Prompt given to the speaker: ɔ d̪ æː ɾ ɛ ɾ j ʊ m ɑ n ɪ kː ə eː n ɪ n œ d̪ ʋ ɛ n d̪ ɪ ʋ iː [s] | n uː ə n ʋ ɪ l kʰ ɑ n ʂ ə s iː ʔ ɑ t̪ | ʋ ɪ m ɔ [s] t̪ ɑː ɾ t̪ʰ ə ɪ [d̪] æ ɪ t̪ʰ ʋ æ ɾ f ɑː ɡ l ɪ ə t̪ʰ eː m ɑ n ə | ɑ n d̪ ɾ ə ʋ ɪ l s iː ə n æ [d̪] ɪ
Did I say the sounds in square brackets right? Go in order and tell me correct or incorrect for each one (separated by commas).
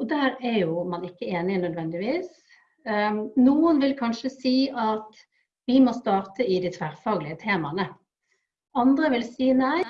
correct, correct, correct, incorrect